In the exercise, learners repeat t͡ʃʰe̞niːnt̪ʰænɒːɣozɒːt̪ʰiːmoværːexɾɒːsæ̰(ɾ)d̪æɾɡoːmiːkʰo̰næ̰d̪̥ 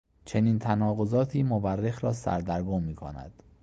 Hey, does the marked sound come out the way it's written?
yes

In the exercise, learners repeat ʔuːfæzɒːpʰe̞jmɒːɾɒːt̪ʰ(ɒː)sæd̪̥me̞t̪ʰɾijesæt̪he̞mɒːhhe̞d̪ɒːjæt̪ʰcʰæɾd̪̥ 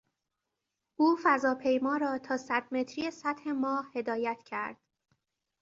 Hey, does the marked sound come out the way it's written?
yes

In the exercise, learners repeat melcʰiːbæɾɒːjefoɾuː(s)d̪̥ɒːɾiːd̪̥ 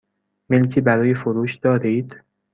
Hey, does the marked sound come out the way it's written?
no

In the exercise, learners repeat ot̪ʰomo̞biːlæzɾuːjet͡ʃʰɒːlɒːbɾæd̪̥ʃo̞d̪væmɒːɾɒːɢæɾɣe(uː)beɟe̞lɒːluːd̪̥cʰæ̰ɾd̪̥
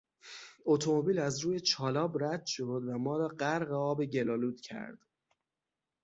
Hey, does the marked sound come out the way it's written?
no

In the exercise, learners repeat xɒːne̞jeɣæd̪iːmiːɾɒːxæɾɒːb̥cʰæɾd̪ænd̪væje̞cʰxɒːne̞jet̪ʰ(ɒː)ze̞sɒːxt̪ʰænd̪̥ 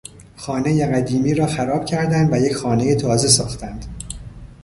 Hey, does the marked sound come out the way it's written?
yes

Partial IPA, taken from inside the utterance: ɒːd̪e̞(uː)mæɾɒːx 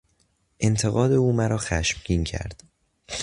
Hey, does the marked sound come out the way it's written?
yes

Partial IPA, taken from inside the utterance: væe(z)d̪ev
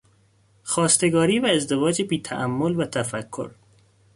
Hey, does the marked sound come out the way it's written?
yes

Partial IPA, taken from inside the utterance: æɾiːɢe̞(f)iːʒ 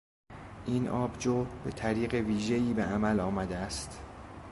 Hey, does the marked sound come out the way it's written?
no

